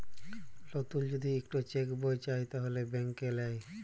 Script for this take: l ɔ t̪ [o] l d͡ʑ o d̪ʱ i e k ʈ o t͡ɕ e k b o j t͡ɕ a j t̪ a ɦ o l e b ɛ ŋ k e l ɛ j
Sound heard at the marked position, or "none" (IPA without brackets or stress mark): u